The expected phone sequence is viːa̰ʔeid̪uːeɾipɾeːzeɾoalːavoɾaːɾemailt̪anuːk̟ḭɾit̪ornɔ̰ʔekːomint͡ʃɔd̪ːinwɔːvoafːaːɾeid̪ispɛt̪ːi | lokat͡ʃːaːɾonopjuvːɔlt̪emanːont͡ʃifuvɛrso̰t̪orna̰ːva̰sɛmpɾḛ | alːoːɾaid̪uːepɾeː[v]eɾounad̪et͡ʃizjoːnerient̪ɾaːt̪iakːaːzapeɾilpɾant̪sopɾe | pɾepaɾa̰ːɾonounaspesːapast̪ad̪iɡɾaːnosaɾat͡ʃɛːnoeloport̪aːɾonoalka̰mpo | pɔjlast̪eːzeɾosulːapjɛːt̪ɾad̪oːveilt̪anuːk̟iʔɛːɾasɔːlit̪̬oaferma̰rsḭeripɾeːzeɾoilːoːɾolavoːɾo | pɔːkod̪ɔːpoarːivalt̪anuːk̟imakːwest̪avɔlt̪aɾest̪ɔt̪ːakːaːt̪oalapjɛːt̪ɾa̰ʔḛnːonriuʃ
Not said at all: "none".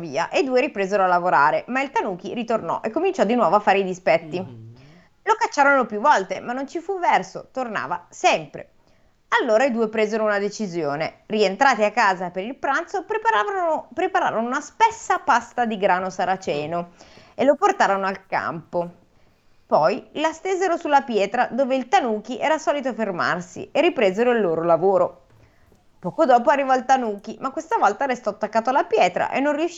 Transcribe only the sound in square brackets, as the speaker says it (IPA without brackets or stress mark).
z